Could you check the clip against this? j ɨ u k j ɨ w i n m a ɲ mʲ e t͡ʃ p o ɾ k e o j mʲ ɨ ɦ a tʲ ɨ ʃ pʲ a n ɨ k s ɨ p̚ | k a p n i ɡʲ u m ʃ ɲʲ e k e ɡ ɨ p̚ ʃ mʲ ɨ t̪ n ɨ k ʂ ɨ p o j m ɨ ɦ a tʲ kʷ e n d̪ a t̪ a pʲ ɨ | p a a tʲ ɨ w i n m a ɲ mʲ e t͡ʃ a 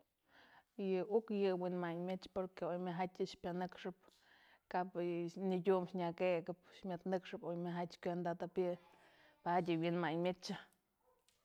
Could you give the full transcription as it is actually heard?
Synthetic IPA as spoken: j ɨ u k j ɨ w i n m a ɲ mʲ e t͡ʃ p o ɾ k e o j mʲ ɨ ɦ a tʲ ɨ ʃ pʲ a n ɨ k ʂ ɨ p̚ | k a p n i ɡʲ u m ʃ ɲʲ a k e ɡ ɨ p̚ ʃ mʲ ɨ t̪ n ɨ k ʂ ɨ p o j m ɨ ɦ a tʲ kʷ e n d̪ a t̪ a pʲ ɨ | p a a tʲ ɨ w i n m a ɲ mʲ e t͡ʃ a

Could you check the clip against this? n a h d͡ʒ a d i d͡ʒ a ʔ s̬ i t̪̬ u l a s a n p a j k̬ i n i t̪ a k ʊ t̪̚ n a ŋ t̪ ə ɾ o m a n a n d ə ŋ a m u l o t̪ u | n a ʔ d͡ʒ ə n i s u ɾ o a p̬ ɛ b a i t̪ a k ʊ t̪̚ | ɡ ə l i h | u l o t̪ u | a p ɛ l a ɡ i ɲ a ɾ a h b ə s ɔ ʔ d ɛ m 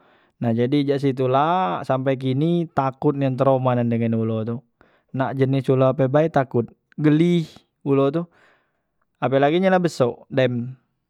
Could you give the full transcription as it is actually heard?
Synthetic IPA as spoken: n a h d͡ʒ a d i d͡ʒ a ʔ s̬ i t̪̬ u l a s a m p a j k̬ i n i t̪ a k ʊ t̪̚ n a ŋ t̪ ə ɾ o m a n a n d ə ŋ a n u l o t̪ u | n a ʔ d͡ʒ ə n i s u l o a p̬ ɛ b a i t̪ a k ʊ t̪̚ | ɡ ə l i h | u l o t̪ u | a p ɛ l a ɡ i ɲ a l a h b ə s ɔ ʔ d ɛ m

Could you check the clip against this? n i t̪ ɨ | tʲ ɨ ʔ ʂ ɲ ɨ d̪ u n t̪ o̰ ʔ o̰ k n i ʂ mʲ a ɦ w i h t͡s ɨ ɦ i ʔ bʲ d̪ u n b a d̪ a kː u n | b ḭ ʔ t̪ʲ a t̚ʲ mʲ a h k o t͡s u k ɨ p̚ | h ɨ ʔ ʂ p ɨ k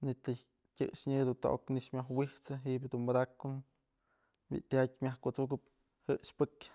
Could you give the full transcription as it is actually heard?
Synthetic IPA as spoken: n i t̪ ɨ | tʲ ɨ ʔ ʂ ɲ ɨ d̪ u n t̪ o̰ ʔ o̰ k n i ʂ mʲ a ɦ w i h t͡s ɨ ɦ i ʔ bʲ d̪ u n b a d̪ a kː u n | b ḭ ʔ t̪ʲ a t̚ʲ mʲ a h k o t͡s u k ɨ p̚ | h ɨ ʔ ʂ p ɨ k

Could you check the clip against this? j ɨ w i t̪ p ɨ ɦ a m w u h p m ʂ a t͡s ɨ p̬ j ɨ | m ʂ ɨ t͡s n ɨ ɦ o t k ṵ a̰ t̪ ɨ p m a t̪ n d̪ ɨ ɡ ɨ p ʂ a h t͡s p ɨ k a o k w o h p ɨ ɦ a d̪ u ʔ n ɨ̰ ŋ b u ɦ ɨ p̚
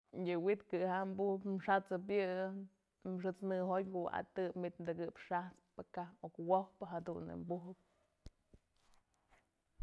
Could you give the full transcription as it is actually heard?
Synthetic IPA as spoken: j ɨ w i t̪ k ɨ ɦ a m b u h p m ʂ a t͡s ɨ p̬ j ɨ | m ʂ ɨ t͡s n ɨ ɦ o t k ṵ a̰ t̪ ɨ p m i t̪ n d̪ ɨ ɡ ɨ p ʂ a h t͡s p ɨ k a o k w o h p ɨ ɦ a d̪ u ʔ n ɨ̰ m b u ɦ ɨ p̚

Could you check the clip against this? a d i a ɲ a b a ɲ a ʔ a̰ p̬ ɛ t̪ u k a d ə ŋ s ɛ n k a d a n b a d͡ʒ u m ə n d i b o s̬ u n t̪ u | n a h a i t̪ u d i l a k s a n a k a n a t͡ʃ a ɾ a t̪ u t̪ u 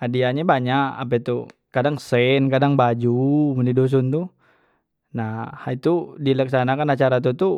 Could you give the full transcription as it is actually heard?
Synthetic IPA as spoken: a d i a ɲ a b a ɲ a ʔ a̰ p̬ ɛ t̪ u k a d a ŋ s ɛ n k a d a ŋ b a d͡ʒ u m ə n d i d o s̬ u n t̪ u | n a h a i t̪ u d i l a k s a n a k a n a t͡ʃ a ɾ a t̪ u t̪ u

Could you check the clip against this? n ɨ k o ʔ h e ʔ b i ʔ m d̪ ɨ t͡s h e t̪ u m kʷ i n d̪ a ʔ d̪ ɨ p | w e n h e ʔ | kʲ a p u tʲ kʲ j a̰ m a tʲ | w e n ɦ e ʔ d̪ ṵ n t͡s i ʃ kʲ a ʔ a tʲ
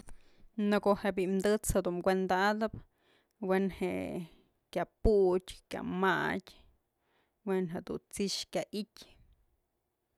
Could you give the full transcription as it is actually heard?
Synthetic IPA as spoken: n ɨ k o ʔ h e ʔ b i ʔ m d̪ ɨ t͡s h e d̪ u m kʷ e n d̪ a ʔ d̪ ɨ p | w e n h e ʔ | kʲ a p u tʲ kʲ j a̰ m a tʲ | w e n ɦ e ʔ d̪ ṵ n t͡s i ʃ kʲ a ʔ i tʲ

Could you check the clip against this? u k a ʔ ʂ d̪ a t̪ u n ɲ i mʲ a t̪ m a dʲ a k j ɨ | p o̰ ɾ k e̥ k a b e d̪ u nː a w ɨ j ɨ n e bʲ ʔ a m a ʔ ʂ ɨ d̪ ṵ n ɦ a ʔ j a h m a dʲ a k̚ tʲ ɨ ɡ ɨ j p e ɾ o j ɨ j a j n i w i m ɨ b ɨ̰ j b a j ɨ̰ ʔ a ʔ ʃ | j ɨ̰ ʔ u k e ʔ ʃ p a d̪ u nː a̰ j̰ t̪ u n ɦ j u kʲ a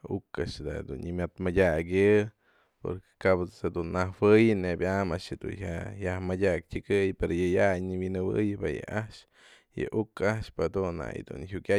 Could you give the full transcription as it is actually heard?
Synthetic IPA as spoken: u k a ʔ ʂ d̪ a d̪ u n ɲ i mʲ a t̪ m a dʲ a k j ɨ | p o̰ ɾ k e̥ k a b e d̪ u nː a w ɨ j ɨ n e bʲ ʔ a m a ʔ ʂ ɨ d̪ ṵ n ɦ a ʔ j a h m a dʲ a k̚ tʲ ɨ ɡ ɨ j p e ɾ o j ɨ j a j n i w i n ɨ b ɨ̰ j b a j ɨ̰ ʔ a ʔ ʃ | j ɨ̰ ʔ u k a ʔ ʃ p a d̪ u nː a̰ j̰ d̪ u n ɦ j u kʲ a

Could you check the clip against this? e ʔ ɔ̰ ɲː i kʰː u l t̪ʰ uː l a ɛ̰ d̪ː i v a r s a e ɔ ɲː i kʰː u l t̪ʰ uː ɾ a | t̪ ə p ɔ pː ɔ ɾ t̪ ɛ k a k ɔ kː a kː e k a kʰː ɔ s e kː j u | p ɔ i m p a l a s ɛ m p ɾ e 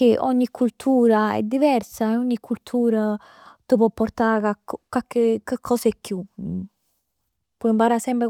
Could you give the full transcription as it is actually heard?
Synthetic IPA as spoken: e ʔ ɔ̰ ɲː i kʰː u l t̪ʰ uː ɾ a ɛ̰ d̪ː i v ɛ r s a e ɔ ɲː i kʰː u l t̪ʰ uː ɾ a | t̪ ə p ɔ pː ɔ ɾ t̪ a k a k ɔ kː a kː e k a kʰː ɔ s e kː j u | p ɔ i m p a ɾ a s ɛ m p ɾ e

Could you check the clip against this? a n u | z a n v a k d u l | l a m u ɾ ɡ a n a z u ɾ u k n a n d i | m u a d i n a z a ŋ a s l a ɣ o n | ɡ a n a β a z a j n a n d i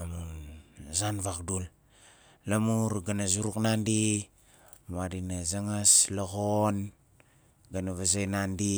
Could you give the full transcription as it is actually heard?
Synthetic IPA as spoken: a m u | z a n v a k d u l | l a m u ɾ ɡ a n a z u ɾ u k n a n d i | m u a d i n a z a ŋ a s l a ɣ o n | ɡ a n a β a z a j n a n d i

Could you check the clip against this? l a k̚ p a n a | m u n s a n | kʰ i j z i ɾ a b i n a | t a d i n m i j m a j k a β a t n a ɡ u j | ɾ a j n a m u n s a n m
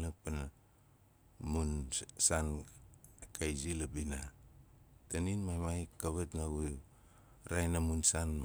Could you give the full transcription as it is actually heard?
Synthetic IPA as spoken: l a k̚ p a n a | m u n s a n | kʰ a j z i l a b i n a | t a n i n m a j m a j k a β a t n a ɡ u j | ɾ a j n a m u n s a n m

